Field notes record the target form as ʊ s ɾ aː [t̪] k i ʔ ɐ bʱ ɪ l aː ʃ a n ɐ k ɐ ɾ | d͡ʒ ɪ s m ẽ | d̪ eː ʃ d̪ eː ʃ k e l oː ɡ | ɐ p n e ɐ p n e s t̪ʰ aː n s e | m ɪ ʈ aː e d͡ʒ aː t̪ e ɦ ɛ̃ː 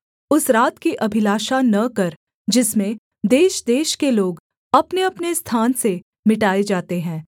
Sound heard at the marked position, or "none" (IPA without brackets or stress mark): t̪